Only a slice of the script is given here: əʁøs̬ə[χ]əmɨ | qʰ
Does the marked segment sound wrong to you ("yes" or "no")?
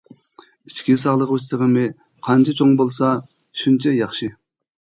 yes